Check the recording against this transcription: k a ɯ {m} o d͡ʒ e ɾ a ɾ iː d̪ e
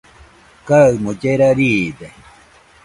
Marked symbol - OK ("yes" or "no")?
yes